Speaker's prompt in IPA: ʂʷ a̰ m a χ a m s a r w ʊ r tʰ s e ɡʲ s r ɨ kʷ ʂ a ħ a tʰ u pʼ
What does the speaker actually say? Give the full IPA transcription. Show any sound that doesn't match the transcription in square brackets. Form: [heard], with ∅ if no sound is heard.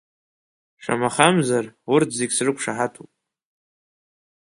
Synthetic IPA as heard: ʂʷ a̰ m a χ a m [z] a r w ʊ r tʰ [z] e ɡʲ s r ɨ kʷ ʂ a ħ a tʰ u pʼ